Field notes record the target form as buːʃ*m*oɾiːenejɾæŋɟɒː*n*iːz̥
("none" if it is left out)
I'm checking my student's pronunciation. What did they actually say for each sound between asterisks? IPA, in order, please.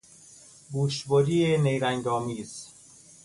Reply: b, m

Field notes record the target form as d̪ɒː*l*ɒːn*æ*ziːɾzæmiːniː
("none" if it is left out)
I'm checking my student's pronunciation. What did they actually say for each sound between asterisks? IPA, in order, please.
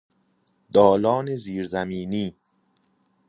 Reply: l, e

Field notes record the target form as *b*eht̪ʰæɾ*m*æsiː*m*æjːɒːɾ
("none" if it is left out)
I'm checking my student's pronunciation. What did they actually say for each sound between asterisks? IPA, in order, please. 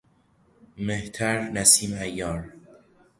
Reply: m, n, m

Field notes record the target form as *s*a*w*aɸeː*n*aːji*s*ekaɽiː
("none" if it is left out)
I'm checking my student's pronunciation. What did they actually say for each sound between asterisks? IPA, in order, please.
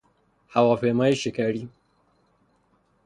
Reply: h, w, m, ʃ

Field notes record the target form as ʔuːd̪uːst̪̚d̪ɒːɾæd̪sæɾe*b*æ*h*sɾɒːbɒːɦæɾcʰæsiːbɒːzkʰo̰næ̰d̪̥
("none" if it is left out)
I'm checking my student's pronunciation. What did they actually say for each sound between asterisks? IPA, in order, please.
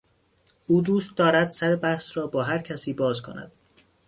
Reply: b, h

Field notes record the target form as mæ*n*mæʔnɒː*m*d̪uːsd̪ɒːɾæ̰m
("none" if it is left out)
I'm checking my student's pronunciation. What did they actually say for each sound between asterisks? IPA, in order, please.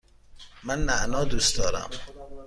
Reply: n, none

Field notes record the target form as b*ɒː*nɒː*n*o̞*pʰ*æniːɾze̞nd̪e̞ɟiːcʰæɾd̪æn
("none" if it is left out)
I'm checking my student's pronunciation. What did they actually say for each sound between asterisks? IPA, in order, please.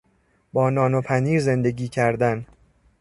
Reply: ɒː, n, pʰ

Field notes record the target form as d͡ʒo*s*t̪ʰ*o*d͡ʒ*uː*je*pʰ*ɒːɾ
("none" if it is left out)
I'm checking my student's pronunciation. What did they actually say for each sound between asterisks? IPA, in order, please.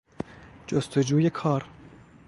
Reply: s, o, uː, kʰ

